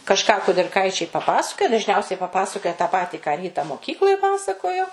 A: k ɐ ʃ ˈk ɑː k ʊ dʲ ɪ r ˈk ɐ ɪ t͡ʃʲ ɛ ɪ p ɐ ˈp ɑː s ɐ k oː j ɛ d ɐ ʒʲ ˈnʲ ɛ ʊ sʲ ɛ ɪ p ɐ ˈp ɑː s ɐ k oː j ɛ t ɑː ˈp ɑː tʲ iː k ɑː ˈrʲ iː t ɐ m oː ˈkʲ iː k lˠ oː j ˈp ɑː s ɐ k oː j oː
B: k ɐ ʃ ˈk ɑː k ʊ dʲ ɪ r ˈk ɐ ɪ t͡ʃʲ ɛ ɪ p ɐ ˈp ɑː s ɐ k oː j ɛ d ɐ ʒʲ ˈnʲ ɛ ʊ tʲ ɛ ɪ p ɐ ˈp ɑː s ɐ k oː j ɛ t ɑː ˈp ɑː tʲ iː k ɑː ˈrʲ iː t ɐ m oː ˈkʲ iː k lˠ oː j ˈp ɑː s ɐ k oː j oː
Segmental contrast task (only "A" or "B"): A